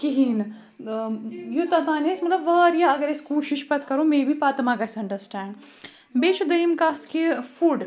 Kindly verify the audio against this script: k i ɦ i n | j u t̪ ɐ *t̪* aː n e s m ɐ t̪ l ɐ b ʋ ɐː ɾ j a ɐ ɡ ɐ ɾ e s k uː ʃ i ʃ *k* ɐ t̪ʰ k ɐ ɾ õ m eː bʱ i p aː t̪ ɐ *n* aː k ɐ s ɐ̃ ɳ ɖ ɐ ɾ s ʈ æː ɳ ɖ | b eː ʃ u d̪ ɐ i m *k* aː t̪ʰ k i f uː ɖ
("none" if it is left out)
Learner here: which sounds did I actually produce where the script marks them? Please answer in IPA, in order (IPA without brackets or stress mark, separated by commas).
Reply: t̪, p, m, k